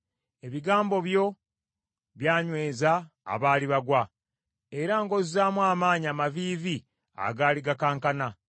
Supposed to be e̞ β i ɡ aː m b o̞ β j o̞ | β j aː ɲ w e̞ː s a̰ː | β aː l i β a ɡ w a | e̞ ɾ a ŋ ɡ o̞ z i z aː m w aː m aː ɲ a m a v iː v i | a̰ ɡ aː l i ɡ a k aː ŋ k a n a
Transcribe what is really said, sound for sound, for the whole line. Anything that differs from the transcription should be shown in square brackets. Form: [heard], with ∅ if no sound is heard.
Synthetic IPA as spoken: e̞ β i ɡ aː m b o̞ β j o̞ | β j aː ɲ w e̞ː [z] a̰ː | β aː l i β a ɡ w a | e̞ ɾ a ŋ ɡ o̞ z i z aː m w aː m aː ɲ a m a v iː v i | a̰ ɡ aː l i ɡ a k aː ŋ k a n a